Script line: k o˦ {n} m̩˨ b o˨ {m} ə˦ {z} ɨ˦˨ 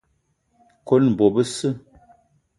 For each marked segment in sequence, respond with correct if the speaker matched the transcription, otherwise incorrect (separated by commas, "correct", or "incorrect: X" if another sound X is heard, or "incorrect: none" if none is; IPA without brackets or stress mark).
correct, incorrect: b, incorrect: s